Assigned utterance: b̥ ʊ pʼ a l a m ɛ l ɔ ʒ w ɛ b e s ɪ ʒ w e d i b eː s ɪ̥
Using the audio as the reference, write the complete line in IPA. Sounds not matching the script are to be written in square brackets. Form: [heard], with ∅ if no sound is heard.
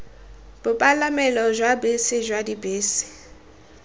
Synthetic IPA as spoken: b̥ ʊ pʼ a l a m ɛ l ɔ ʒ w [a] b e s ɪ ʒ w [a] d i b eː s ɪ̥